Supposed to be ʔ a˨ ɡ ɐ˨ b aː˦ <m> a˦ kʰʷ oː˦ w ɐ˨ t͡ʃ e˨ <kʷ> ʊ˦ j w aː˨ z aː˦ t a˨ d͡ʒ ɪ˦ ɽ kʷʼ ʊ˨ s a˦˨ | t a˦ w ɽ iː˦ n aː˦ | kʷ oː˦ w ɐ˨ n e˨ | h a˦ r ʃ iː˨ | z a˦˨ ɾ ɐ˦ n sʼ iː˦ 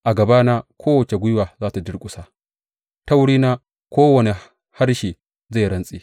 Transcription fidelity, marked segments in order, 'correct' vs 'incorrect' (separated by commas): incorrect, incorrect